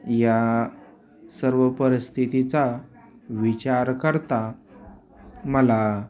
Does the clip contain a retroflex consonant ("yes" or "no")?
no